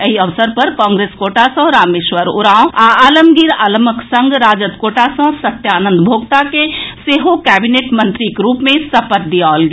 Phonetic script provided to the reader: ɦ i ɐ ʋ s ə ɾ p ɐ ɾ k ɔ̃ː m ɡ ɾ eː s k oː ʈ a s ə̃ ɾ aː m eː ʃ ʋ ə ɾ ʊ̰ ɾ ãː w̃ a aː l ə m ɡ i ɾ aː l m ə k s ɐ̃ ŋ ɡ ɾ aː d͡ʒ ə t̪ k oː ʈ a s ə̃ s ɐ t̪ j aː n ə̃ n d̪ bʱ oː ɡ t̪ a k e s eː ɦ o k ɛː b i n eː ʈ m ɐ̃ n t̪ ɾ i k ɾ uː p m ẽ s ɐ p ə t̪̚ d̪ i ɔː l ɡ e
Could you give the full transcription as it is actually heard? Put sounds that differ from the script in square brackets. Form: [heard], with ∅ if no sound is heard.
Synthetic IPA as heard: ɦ i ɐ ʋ s ə ɾ p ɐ ɾ k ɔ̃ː [ŋ] ɡ ɾ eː s k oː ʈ a s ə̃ ɾ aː m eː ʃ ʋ ə ɾ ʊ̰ ɾ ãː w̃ a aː l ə m ɡ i ɾ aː l m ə k s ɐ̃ ŋ ɡ ɾ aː d͡ʒ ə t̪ k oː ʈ a s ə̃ s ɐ t̪ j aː n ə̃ n d̪ bʱ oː ɡ t̪ a k e s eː ɦ o k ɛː b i n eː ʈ m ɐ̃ n t̪ ɾ i k ɾ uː p m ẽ s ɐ p ə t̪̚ d̪ i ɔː l ɡ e